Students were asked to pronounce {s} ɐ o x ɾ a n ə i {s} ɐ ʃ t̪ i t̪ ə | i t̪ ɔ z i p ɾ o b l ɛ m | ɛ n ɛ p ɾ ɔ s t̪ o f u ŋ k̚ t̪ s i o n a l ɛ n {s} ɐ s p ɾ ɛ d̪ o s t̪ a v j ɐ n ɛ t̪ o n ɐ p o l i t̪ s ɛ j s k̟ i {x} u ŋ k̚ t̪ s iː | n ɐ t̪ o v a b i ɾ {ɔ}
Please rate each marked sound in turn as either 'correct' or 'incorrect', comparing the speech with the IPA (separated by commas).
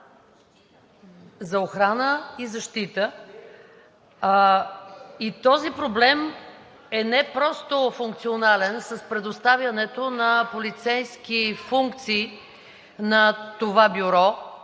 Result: incorrect, incorrect, correct, incorrect, correct